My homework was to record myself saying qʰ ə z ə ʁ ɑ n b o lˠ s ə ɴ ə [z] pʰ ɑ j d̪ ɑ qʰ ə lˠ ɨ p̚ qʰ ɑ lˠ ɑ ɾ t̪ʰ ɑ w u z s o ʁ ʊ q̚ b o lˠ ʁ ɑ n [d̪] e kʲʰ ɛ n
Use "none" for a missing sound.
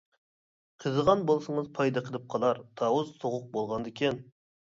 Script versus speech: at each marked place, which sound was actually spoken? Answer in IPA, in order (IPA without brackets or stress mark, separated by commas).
z, d̪